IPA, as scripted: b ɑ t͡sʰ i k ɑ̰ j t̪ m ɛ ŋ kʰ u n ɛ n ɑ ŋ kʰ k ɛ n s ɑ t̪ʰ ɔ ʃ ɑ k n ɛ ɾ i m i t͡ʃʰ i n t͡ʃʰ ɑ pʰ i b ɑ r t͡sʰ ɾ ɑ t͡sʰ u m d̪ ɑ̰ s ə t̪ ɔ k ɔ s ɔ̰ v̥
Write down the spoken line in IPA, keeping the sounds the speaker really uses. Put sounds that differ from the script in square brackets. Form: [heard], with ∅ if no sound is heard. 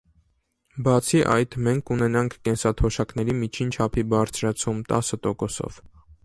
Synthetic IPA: b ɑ t͡sʰ i [ʔ] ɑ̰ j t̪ m ɛ ŋ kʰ u n ɛ n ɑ ŋ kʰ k ɛ n s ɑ t̪ʰ ɔ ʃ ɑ k n ɛ ɾ i m i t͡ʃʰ i n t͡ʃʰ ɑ pʰ i b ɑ [ɾ] t͡sʰ ɾ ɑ t͡sʰ u m [t̪] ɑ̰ s ə t̪ ɔ k ɔ s ɔ̰ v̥

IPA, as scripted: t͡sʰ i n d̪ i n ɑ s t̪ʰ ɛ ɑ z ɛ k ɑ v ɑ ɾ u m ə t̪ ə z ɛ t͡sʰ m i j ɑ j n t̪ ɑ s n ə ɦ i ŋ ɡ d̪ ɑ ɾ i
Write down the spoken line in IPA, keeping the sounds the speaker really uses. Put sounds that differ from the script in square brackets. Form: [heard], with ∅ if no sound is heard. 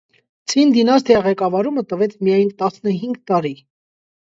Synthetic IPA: t͡sʰ i n d̪ i n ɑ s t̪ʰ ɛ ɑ [ʁ] ɛ k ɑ v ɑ ɾ u m ə t̪ ə [v] ɛ t͡sʰ m i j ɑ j n t̪ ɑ s n ə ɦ i ŋ ɡ [t̪] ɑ ɾ i

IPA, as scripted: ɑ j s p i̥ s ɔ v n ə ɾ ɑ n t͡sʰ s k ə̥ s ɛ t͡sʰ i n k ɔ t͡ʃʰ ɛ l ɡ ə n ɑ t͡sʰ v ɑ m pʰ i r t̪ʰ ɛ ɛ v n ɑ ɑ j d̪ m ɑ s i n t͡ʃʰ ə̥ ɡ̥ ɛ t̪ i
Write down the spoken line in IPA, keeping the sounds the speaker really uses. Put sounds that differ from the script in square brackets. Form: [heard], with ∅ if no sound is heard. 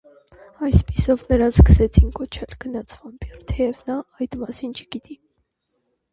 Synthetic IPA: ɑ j s p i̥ s ɔ v n ə ɾ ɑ n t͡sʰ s k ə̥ s ɛ t͡sʰ i n k ɔ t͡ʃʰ ɛ l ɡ ə n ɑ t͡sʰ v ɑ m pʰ i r t̪ʰ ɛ ɛ v n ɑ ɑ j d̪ m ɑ s i n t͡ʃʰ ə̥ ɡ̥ [i] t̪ i

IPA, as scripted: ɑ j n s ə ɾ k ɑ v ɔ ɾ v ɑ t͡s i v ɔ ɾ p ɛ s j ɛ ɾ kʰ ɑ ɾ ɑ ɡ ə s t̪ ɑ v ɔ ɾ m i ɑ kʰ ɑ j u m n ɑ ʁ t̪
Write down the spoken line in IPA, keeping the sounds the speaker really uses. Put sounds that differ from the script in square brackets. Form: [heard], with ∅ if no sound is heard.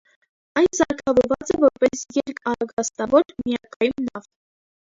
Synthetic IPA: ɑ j n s [ɑ] ɾ [kʰ] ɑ v ɔ ɾ v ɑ t͡s [ɛ] v ɔ ɾ p ɛ s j ɛ ɾ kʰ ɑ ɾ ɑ ɡ [ɑ] s t̪ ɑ v ɔ ɾ m i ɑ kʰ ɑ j u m n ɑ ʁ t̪

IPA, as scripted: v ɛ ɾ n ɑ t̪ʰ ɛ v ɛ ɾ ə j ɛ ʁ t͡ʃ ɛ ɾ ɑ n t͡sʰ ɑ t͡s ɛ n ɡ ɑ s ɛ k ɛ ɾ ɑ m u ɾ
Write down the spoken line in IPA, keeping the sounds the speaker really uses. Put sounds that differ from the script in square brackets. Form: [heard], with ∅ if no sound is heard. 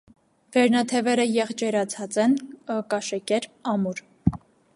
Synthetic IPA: v ɛ ɾ n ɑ t̪ʰ ɛ v ɛ ɾ ə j ɛ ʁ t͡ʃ ɛ ɾ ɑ [∅] t͡sʰ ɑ t͡s ɛ n [k] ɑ [ʃ] ɛ k ɛ ɾ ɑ m u ɾ

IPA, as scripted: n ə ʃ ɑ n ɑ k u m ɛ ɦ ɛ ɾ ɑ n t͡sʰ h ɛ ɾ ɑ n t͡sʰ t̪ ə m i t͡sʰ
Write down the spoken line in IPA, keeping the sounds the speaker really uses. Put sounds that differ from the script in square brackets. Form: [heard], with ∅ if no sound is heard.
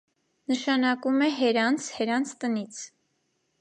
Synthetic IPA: n ə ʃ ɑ n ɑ k u m ɛ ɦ ɛ ɾ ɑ n t͡sʰ h ɛ ɾ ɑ n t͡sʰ t̪ ə [n] i t͡sʰ

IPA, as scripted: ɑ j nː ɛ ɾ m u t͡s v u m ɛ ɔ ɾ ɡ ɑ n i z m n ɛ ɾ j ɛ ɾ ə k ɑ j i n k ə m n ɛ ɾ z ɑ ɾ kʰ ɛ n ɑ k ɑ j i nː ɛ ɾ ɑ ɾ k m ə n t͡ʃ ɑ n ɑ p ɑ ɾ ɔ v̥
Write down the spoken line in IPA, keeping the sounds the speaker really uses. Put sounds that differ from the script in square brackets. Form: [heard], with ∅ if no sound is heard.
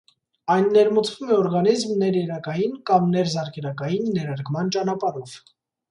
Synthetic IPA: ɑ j nː ɛ ɾ m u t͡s v u m ɛ ɔ ɾ ɡ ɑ n i z m n ɛ ɾ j ɛ ɾ [ɑ] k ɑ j i n k [ɑ] m n ɛ ɾ z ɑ ɾ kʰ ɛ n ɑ k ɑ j i nː ɛ ɾ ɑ ɾ k m [ɑ] n t͡ʃ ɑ n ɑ p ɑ ɾ ɔ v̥

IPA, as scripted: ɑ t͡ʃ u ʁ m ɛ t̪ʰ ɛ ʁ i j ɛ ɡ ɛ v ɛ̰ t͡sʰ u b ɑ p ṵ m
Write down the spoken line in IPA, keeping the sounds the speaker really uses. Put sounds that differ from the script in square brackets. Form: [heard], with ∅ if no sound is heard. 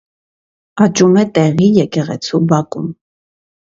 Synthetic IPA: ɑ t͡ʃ u [∅] m ɛ [t̪] ɛ ʁ i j ɛ [k] ɛ [ʁ] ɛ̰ t͡sʰ u b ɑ [k] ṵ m

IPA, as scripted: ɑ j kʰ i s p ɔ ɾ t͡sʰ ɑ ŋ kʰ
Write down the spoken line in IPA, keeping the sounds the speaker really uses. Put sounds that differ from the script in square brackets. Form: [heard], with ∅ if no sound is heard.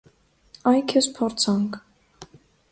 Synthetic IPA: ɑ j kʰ [ɛ] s [pʰ] ɔ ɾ t͡sʰ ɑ ŋ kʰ

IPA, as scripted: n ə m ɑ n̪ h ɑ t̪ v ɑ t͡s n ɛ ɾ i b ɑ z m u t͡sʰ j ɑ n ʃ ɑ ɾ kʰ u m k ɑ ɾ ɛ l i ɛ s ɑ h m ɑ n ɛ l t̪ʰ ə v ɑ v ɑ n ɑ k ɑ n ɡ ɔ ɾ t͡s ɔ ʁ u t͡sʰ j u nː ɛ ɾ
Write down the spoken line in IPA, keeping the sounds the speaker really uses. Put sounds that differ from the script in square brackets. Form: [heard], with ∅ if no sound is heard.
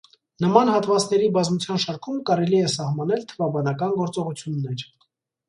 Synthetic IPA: n ə m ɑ n̪ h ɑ t̪ v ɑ t͡s n ɛ ɾ i b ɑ z m u t͡sʰ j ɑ n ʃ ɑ ɾ kʰ u m k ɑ ɾ ɛ l i ɛ s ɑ h m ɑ n ɛ l t̪ʰ ə v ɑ [b] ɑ n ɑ k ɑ n ɡ ɔ ɾ t͡s ɔ ʁ u t͡sʰ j u nː ɛ ɾ

